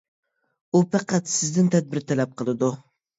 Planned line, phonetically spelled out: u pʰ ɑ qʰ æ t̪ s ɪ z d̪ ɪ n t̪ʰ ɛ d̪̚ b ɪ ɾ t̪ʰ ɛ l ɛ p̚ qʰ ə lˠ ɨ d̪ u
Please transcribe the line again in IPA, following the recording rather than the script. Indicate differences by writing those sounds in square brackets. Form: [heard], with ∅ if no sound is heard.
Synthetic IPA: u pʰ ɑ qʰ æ t̪ s ɪ z d̪ ɪ n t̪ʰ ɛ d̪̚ b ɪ ɾ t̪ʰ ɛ l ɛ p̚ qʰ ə lˠ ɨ d̪ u

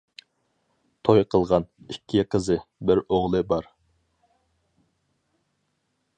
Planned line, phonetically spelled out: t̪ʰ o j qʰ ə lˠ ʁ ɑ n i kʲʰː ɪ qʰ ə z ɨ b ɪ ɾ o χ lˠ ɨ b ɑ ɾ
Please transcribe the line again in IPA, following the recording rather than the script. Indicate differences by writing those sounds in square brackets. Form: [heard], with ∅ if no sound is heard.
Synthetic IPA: t̪ʰ o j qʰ ə lˠ ʁ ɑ n i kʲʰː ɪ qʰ ə z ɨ b ɪ ɾ o [ʁ] lˠ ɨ b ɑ ɾ

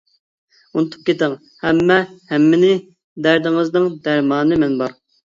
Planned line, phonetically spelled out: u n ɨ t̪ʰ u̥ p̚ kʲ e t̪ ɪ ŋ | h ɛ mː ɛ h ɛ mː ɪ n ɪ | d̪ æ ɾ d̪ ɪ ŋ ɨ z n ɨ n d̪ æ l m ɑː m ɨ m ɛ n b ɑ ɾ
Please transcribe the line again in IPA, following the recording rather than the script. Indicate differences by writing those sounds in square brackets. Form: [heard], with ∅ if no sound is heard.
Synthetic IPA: u n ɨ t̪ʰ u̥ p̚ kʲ e t̪ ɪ ŋ | h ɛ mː ɛ h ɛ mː ɪ n ɪ | d̪ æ ɾ d̪ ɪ ŋ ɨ z n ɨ [ŋ] d̪ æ [ɾ] m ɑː [n] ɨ m ɛ n b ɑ ɾ

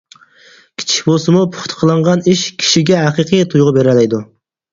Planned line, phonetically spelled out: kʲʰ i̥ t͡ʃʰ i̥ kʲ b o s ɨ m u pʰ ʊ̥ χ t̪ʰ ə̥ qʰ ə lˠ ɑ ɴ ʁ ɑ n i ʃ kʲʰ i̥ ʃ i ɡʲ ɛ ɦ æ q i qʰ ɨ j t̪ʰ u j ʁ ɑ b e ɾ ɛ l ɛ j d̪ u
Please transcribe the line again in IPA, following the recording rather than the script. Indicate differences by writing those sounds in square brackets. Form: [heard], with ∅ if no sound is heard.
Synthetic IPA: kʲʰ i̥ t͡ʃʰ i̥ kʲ b o s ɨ m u pʰ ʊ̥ χ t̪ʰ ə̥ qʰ ə lˠ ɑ ɴ ʁ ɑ n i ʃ kʲʰ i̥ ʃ i ɡʲ ɛ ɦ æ q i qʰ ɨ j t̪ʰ u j ʁ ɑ b e ɾ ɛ l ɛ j d̪ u

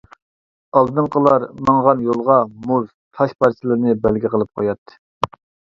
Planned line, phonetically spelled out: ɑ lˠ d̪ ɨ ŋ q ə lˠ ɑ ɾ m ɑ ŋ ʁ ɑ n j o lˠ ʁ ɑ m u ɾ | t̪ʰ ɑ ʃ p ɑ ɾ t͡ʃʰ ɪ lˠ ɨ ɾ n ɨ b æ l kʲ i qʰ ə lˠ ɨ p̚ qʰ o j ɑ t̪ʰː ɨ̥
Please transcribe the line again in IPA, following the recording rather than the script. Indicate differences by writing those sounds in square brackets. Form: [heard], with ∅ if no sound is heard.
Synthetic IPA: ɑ lˠ d̪ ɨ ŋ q ə lˠ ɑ ɾ m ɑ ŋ ʁ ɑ n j o lˠ ʁ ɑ m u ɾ | t̪ʰ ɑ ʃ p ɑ ɾ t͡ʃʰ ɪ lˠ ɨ ɾ n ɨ b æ l [ɡʲ] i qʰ ə lˠ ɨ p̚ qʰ o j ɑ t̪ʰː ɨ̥

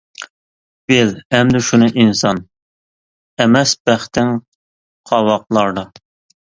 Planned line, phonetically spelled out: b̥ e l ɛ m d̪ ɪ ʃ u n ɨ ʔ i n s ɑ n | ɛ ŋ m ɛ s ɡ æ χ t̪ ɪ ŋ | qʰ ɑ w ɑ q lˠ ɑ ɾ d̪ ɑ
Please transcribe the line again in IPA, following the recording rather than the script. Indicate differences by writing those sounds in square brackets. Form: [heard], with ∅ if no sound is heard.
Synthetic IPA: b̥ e l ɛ m d̪ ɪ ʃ u n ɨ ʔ i n s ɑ n | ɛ [∅] m ɛ s [b] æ χ t̪ ɪ ŋ | qʰ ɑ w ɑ q lˠ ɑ ɾ d̪ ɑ

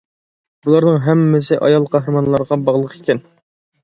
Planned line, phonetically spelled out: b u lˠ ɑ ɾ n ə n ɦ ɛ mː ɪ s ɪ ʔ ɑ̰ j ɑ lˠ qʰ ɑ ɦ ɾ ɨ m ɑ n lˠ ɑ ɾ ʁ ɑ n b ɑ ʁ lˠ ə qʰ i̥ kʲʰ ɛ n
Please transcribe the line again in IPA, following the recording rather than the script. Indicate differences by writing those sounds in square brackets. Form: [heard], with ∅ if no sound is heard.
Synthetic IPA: b u lˠ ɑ ɾ n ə [ŋ] ɦ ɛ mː ɪ s ɪ ʔ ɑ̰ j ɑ lˠ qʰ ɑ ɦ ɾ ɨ m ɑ n lˠ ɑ ɾ ʁ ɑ [∅] b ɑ ʁ lˠ ə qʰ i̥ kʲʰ ɛ n

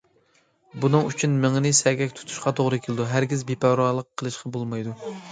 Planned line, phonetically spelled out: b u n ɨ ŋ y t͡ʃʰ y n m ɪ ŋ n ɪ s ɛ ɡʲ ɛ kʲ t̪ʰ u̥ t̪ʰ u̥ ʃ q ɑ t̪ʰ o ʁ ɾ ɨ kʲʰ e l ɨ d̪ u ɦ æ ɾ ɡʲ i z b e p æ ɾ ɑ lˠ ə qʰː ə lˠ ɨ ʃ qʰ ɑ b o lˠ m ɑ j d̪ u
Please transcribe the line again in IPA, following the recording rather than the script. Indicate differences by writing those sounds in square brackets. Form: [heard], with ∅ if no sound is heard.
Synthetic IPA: b u n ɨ ŋ y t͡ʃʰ y n m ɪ ŋ n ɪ s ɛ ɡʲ ɛ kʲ t̪ʰ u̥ t̪ʰ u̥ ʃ q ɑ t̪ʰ o ʁ ɾ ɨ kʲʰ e l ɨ d̪ u ɦ æ ɾ ɡʲ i z b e p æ ɾ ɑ lˠ ə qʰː ə lˠ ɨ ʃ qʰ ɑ b o lˠ m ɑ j d̪ u

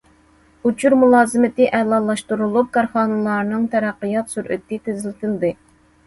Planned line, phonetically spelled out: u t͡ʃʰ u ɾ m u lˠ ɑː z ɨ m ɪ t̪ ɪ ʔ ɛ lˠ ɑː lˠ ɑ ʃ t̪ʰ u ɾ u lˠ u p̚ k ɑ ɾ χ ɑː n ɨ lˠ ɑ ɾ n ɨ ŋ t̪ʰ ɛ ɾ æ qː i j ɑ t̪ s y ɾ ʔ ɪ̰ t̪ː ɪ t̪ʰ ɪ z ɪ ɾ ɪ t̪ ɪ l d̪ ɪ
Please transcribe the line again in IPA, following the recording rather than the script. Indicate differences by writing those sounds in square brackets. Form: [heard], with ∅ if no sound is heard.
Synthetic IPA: u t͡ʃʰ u ɾ m u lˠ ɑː z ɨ m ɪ t̪ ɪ ʔ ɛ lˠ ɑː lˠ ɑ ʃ [t̪] u ɾ u lˠ u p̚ k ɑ ɾ χ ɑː n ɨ lˠ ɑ ɾ n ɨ ŋ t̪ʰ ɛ ɾ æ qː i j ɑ t̪ s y ɾ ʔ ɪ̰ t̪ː ɪ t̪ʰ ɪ z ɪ [l] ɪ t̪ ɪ l d̪ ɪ

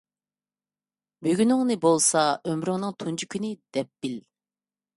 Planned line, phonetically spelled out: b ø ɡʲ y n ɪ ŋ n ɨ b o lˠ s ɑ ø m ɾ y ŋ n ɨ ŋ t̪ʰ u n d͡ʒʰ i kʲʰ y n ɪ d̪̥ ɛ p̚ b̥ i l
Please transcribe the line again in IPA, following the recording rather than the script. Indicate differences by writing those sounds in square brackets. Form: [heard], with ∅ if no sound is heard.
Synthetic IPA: b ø ɡʲ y n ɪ ŋ n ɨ b o lˠ s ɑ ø m ɾ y ŋ n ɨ ŋ t̪ʰ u n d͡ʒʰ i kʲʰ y n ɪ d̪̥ ɛ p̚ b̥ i l

